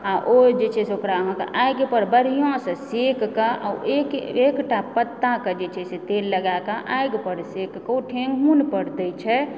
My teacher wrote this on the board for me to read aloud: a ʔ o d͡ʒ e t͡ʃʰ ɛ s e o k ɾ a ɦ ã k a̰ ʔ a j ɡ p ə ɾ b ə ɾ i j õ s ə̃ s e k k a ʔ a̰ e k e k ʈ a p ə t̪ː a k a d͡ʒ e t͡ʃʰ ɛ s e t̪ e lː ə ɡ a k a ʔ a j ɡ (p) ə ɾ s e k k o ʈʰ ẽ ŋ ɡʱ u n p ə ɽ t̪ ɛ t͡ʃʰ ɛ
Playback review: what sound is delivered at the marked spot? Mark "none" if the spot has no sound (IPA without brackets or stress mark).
p